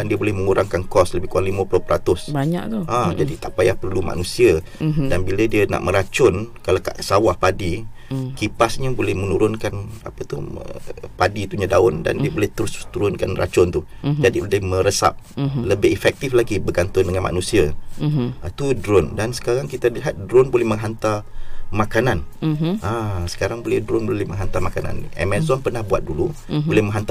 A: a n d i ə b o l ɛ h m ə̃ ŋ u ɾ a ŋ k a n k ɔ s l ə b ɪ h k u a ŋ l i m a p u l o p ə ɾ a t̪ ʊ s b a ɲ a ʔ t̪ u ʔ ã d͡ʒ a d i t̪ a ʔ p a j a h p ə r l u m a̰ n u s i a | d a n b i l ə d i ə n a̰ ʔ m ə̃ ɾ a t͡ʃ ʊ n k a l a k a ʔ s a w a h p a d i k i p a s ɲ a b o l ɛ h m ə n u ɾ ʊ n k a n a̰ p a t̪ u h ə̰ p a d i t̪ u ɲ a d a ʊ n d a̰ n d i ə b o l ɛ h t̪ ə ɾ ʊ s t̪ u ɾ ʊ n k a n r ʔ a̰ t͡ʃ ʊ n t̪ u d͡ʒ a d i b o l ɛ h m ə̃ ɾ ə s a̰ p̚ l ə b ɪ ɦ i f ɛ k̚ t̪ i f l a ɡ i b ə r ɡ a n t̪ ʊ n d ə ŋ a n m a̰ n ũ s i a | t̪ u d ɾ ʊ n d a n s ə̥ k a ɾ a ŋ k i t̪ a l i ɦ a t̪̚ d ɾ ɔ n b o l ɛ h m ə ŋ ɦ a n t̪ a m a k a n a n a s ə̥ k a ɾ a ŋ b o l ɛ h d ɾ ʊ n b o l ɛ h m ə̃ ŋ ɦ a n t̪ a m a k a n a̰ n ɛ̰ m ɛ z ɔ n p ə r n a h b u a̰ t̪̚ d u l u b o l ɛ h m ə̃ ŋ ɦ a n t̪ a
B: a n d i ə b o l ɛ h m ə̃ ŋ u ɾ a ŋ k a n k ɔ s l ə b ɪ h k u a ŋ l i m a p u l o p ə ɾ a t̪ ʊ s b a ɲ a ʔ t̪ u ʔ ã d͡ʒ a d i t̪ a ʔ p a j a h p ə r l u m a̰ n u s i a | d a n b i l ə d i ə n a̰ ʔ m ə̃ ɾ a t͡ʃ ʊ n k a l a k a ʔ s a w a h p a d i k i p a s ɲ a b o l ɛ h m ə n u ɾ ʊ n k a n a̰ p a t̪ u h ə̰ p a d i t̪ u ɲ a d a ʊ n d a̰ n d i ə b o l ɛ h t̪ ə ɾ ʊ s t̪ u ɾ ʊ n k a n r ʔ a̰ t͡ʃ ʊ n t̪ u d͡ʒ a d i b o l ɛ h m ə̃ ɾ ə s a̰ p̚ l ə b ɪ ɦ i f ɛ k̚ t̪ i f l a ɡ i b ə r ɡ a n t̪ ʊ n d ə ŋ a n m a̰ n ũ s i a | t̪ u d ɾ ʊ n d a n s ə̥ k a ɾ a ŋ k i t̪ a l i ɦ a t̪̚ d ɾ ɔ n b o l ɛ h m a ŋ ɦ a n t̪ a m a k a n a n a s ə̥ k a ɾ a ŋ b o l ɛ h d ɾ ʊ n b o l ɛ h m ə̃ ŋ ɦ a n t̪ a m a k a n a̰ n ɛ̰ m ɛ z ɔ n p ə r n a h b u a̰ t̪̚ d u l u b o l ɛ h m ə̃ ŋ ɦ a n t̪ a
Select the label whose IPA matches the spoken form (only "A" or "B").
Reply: A